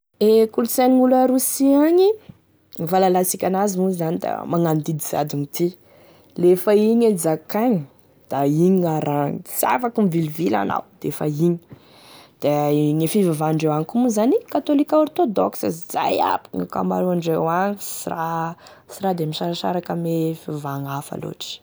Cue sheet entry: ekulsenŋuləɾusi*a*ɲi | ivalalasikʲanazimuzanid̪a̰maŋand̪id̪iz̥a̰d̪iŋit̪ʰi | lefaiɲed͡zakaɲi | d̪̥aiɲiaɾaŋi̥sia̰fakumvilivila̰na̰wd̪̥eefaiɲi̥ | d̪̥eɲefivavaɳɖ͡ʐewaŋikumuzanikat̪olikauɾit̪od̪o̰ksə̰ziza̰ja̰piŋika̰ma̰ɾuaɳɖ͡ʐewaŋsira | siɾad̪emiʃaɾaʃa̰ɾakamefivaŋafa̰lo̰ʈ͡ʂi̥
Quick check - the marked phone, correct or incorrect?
correct